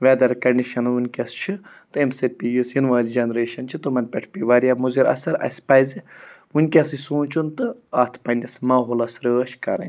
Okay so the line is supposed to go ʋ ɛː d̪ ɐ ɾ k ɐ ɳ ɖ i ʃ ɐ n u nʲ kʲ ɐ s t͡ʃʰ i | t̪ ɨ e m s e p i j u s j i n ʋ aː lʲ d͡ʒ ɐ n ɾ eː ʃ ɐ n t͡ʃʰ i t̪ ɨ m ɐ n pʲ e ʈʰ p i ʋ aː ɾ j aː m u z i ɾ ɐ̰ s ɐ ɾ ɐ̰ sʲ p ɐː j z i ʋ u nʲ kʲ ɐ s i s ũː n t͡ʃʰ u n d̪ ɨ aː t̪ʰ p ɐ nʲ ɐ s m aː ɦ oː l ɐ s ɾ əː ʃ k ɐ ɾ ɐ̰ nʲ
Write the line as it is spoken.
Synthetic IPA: ʋ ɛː d̪ ɐ ɾ k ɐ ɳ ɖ i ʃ ɐ n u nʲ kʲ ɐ s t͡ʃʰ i | t̪ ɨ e m s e p i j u s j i n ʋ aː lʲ d͡ʒ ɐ n ɾ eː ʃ ɐ n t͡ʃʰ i t̪ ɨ m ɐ n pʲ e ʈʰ p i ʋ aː ɾ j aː m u z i ɾ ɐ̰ s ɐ ɾ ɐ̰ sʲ p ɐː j z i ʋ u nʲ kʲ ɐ s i s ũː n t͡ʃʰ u n t̪ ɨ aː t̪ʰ p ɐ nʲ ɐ s m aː ɦ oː l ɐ s ɾ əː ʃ k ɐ ɾ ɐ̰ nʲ